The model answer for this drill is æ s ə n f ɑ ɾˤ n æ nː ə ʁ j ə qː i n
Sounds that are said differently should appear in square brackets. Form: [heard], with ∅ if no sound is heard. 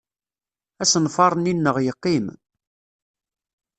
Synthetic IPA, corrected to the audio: æ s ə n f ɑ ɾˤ n [i] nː ə ʁ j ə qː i [m]